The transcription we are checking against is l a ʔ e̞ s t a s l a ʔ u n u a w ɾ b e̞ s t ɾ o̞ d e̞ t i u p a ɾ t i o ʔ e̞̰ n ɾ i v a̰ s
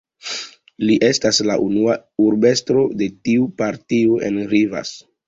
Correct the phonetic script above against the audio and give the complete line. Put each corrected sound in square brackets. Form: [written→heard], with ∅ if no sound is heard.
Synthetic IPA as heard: l [a→i] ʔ e̞ s t a s l a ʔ u n u a [w→u] ɾ b e̞ s t ɾ o̞ d e̞ t i u p a ɾ t i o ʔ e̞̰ n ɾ i v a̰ s